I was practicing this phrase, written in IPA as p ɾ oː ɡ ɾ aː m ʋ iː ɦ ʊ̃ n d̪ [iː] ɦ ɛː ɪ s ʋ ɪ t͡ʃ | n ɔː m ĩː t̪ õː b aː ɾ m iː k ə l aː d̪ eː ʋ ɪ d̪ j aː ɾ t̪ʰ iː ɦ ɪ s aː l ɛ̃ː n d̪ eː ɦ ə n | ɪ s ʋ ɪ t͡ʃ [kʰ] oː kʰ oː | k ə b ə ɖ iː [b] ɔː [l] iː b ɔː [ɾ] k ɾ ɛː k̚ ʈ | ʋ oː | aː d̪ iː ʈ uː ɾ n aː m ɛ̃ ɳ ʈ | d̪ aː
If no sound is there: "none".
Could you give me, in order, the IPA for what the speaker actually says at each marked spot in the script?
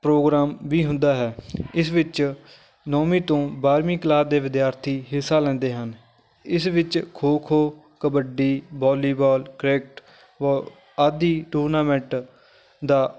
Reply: aː, kʰ, b, l, l

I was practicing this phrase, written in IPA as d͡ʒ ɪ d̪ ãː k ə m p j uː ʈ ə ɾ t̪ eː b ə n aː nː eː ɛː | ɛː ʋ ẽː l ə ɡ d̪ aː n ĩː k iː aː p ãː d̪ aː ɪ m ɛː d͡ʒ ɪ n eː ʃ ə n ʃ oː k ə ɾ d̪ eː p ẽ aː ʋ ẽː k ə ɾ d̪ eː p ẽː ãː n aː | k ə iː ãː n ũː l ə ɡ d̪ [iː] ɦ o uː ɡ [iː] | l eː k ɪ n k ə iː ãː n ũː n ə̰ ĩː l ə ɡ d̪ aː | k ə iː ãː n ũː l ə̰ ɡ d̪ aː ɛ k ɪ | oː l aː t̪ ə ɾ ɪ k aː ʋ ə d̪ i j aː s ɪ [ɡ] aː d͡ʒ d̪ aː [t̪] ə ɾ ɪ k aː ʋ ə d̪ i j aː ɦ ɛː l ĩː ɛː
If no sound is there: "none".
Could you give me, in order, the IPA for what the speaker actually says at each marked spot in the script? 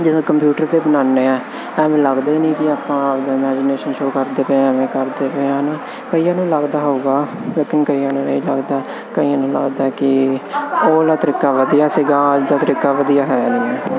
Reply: aː, aː, ɡ, t̪

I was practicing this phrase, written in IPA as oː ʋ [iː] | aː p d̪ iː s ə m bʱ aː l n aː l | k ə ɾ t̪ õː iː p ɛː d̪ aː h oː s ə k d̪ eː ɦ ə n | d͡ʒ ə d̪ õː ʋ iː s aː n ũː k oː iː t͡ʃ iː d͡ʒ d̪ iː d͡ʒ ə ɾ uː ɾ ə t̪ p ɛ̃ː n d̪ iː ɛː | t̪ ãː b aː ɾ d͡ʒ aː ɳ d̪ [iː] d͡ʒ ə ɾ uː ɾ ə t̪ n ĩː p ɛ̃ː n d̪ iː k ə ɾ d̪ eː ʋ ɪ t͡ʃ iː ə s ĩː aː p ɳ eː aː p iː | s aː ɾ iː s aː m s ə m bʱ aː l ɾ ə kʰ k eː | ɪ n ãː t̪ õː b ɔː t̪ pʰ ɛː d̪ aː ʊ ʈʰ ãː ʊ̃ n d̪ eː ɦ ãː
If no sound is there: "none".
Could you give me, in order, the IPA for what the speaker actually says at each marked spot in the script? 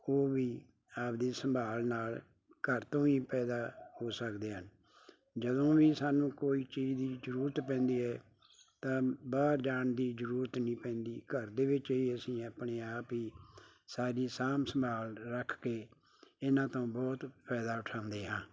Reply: iː, iː

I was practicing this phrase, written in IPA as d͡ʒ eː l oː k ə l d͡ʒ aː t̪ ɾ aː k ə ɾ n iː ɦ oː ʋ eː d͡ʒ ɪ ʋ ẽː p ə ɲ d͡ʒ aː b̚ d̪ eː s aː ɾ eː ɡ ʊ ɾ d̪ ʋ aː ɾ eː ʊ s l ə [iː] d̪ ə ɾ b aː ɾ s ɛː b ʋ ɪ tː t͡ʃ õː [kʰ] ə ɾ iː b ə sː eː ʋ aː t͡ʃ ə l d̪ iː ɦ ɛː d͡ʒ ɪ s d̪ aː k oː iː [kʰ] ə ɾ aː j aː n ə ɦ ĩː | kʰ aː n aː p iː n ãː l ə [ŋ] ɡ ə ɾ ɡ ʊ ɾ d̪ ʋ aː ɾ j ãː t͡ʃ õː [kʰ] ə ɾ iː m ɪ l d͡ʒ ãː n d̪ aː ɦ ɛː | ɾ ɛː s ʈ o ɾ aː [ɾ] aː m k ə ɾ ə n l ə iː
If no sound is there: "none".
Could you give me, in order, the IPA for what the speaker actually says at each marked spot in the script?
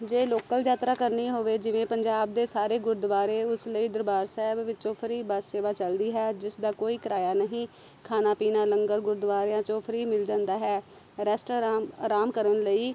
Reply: iː, pʰ, k, ŋ, pʰ, ɾ

